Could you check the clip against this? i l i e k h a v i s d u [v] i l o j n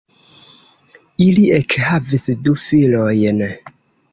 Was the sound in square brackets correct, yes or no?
no